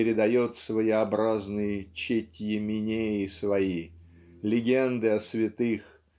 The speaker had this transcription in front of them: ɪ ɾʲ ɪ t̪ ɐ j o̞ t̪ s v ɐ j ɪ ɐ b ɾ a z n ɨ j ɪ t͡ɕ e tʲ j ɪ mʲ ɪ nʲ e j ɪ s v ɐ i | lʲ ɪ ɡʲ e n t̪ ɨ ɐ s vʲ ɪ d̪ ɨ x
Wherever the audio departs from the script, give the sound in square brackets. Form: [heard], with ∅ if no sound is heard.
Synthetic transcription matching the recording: ɪ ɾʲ ɪ [d̪] ɐ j o̞ t̪ s v [ə] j ɪ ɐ b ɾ a z n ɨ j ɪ t͡ɕ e tʲ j ɪ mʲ ɪ nʲ e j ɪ s v ɐ i | lʲ ɪ ɡʲ e n [d̪] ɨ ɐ s vʲ ɪ [t̪] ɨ x